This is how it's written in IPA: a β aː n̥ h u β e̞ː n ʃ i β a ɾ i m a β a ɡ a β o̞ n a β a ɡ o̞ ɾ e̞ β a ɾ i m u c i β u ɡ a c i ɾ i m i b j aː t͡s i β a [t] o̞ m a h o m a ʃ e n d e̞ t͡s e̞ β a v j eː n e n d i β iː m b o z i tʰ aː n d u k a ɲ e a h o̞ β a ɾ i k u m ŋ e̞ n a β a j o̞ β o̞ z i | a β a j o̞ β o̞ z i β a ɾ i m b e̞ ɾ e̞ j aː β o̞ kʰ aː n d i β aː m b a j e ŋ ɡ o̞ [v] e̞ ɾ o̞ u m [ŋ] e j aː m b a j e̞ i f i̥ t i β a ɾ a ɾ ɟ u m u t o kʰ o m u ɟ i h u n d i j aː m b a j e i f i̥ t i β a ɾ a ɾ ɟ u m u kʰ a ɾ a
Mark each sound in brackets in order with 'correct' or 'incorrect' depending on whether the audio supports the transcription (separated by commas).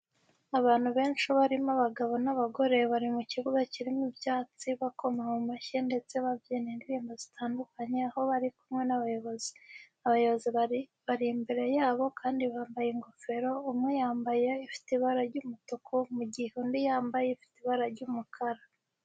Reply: incorrect, incorrect, correct